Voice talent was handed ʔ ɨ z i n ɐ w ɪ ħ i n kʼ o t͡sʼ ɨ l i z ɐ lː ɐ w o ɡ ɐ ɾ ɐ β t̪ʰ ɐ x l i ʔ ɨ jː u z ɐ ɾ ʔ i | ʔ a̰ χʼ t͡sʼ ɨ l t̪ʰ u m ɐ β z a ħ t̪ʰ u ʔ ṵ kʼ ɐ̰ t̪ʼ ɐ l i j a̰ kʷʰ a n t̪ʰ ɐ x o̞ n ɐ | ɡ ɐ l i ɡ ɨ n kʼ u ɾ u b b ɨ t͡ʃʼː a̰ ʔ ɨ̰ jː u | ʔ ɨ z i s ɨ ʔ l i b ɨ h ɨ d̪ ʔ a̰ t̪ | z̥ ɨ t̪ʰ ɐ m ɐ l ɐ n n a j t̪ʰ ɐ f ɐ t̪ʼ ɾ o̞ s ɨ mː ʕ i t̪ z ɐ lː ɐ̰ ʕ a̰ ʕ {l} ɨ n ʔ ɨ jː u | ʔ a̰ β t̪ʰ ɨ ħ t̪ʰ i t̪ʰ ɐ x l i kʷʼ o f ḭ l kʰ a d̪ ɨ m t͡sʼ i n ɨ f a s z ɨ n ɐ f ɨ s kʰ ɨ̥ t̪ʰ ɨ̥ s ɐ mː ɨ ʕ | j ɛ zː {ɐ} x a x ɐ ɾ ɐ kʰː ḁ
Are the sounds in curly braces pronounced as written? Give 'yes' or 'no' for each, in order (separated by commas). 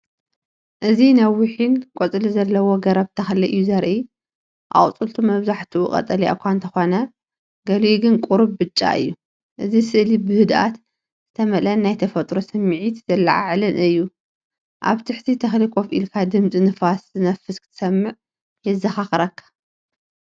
yes, yes